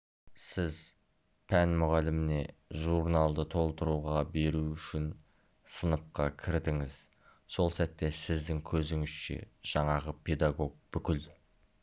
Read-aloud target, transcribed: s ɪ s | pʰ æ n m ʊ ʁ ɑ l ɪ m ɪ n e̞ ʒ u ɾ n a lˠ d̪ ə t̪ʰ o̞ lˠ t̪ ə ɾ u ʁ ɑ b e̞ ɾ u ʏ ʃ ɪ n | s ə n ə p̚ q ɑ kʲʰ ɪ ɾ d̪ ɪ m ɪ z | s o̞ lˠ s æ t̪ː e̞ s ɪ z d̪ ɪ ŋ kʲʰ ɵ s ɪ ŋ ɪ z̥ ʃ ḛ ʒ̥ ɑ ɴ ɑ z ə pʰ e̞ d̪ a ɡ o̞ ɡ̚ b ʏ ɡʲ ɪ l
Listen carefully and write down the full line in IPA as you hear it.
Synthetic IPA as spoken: s ɪ z | pʰ æ n m ʊ ʁ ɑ l ɪ m ɪ n e̞ ʒ u ɾ n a lˠ d̪ ə t̪ʰ o̞ lˠ t̪ ə ɾ u ʁ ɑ b e̞ ɾ u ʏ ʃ ɪ n | s ə n ə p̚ q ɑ kʲʰ ɪ ɾ d̪ ɪ ŋ ɪ z | s o̞ lˠ s æ t̪ː e̞ s ɪ z d̪ ɪ ŋ kʲʰ ɵ z ɪ ŋ ɪ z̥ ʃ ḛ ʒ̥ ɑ ɴ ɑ ʁ ə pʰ e̞ d̪ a ɡ o̞ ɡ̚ b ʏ kʲ ɪ l